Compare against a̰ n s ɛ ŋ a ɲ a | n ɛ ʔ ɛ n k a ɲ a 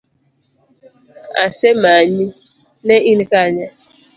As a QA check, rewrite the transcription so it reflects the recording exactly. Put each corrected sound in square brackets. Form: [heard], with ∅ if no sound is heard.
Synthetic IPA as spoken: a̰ [∅] s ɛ [m] a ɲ [i] | n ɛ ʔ [i] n k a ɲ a